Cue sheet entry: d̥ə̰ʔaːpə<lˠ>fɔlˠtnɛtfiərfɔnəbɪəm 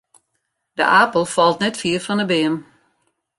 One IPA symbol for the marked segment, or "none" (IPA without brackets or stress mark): lˠ